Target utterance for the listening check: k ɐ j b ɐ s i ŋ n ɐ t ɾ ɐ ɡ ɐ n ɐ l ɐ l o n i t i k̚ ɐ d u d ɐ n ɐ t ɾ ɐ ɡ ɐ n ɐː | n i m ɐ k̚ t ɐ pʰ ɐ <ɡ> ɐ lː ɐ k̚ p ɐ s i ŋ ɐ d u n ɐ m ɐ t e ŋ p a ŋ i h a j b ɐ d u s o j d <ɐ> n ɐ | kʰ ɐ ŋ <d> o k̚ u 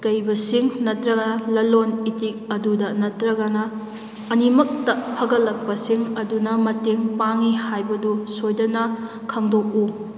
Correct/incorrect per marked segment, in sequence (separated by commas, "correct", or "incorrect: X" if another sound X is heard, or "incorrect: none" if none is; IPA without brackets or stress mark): correct, correct, correct